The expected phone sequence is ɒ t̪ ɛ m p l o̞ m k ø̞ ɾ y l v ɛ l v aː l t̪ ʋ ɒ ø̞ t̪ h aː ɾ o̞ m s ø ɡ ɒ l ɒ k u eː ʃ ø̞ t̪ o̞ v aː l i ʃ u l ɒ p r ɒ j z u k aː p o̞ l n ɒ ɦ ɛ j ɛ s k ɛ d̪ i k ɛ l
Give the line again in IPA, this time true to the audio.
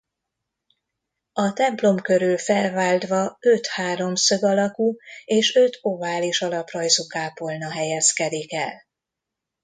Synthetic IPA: ɒ t̪ ɛ m p l o̞ m k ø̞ ɾ y l f ɛ l v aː l d̪ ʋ ɒ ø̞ t̪ h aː ɾ o̞ m s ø ɡ ɒ l ɒ k u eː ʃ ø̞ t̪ o̞ v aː l i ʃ ɒ l ɒ p r ɒ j z u k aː p o̞ l n ɒ ɦ ɛ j ɛ s k ɛ d̪ i k ɛ l